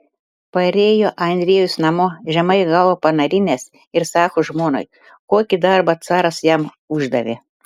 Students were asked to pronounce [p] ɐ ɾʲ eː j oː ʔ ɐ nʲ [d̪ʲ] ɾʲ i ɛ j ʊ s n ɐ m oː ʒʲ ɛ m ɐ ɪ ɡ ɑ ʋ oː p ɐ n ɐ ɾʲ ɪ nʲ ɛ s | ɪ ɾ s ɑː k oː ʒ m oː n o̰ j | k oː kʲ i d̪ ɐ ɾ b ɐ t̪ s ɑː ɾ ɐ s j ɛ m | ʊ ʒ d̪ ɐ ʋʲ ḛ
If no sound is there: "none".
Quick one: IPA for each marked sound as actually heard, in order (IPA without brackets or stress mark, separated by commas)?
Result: p, d̪ʲ